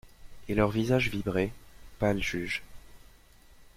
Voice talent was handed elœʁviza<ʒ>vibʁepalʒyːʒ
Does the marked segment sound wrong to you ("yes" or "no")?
no